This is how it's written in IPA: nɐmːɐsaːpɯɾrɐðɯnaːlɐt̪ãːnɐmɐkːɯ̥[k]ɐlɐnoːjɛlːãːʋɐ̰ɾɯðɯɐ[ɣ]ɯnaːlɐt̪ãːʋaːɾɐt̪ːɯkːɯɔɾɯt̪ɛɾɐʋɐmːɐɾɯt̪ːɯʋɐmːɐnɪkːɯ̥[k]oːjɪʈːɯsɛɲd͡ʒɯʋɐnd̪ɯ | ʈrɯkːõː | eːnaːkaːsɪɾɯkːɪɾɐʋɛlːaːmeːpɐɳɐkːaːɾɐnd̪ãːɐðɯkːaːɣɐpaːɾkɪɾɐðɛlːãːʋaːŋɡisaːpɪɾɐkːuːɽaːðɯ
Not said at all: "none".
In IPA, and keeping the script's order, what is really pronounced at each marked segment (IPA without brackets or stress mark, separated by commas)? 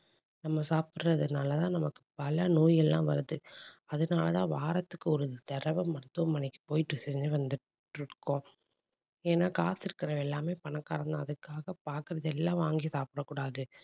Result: p, ð, p